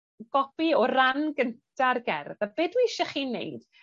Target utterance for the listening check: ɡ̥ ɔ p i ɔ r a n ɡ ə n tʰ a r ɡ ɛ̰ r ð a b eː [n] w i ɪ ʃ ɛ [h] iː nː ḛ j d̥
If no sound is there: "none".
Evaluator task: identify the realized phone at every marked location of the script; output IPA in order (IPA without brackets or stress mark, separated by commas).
d, χ